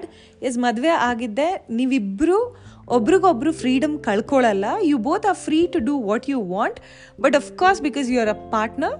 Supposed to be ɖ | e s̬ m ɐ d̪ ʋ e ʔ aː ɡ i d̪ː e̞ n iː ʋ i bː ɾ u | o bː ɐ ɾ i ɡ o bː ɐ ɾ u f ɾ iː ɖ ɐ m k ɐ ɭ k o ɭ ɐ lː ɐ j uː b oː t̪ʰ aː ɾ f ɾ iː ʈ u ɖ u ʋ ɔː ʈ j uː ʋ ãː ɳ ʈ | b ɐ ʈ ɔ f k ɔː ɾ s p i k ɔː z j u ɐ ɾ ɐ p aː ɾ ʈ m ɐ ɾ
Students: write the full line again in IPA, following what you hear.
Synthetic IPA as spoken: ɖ | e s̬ m ɐ d̪ ʋ e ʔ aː ɡ i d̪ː e̞ n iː ʋ i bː ɾ u | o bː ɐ ɾ i ɡ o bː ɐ ɾ u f ɾ iː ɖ ɐ m k ɐ ɭ k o ɭ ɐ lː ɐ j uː b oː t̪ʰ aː ɾ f ɾ iː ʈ u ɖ u ʋ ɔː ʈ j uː ʋ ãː ɳ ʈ | b ɐ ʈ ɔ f k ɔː ɾ s b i k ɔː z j u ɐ ɾ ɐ p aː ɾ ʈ n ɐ ɾ